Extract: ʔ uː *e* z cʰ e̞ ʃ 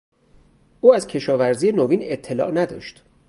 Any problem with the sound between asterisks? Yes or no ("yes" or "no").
yes